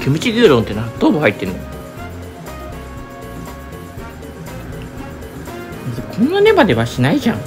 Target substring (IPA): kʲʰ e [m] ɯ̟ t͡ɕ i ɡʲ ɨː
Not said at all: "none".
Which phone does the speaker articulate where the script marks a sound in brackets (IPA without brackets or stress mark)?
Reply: m